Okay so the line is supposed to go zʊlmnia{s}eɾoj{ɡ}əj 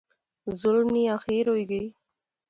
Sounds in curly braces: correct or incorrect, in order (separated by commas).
incorrect, correct